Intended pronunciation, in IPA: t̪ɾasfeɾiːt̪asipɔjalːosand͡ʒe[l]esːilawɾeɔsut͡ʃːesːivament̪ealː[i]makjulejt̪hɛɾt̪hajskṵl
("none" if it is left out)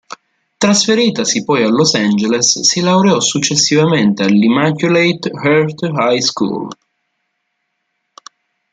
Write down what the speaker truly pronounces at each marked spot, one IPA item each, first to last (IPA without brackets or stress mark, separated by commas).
l, i